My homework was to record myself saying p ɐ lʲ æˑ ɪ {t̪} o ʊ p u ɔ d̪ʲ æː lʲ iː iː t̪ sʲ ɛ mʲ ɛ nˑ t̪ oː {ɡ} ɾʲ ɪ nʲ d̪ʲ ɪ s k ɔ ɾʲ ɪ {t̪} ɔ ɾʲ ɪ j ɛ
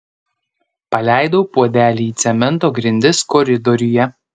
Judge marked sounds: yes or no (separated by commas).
no, yes, no